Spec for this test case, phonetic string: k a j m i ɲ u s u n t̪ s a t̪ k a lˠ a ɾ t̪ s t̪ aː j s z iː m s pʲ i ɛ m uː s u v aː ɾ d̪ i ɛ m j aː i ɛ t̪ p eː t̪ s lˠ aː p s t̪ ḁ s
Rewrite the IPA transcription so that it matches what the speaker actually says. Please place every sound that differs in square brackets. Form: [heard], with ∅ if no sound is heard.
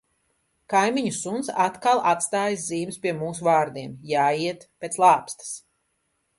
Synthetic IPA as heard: k a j m i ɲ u s u n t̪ s a t̪ k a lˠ a [∅] t̪ s t̪ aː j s z iː m s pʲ i ɛ m uː s u v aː ɾ d̪ i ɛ m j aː i ɛ t̪ p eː t̪ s lˠ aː p s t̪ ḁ s